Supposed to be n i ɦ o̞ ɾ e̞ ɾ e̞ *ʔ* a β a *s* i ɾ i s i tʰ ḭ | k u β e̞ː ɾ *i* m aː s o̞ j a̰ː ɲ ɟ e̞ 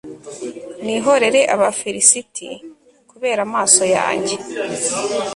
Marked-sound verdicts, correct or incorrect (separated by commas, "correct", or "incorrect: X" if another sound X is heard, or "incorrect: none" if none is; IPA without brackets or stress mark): correct, incorrect: f, incorrect: a